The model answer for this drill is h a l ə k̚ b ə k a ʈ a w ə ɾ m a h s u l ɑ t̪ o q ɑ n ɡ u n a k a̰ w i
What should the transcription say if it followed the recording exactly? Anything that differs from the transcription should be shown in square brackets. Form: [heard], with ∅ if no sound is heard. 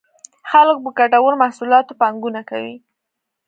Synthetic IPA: [x] a l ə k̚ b ə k a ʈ a w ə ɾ m a h s u l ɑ t̪ o [p] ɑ [ŋ] ɡ u n a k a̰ w i